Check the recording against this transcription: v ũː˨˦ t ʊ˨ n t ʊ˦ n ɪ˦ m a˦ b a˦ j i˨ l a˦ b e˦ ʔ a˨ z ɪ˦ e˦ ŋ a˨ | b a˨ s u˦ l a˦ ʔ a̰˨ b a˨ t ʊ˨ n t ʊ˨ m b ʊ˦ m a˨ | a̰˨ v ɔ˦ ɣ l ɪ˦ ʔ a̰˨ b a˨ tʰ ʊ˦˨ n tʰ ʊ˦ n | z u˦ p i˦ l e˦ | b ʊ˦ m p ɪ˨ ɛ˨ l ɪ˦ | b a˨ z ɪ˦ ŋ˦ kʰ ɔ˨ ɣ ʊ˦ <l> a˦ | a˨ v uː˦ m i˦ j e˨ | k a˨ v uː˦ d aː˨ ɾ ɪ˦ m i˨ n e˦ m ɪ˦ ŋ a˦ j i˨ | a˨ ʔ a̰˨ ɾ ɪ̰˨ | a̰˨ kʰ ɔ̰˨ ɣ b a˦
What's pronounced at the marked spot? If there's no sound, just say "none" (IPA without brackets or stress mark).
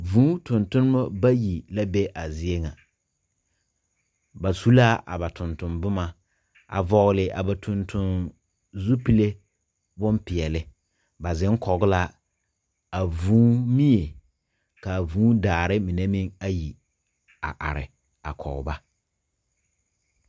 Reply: l